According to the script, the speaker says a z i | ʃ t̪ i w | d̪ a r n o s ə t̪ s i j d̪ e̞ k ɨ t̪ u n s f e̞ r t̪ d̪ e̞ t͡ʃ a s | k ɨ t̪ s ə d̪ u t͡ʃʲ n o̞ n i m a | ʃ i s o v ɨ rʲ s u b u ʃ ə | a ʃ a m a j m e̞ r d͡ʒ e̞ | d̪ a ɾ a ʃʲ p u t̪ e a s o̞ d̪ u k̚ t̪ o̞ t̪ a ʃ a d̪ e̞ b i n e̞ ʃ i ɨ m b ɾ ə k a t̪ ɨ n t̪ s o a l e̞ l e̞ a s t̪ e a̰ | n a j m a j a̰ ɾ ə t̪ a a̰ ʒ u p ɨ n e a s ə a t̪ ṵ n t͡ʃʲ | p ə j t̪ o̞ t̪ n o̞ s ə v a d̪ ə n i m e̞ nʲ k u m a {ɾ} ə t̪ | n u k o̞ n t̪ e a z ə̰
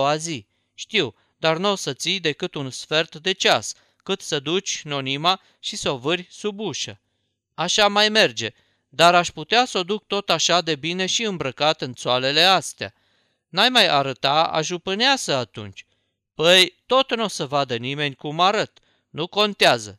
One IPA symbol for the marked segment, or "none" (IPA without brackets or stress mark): ɾ